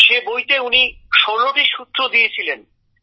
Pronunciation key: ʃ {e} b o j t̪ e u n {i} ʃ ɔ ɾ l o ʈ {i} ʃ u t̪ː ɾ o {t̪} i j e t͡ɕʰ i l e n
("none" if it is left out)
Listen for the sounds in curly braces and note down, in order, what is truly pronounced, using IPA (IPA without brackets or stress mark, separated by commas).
e, i, i, d̪